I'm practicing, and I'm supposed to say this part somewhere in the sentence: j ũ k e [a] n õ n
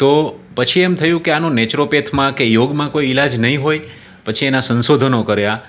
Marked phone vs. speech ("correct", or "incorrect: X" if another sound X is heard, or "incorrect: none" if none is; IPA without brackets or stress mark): correct